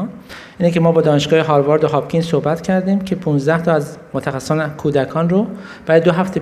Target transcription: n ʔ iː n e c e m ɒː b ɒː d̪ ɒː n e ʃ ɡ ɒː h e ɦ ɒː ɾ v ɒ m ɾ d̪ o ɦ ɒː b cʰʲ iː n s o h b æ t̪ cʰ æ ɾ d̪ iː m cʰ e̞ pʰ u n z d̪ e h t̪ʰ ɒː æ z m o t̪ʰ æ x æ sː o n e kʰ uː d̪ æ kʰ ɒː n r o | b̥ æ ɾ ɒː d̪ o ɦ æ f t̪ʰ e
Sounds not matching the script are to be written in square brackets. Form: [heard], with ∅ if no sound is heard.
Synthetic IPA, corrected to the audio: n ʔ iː n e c e m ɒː b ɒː d̪ ɒː n e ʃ ɡ ɒː h e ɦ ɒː ɾ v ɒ [∅] ɾ d̪ o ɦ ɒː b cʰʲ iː n s o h b æ t̪ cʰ æ ɾ d̪ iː m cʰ e̞ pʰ u n z d̪ [æ] h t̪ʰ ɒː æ z m o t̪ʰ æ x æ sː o n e kʰ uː d̪ æ kʰ ɒː n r o | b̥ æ ɾ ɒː d̪ o ɦ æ f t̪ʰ e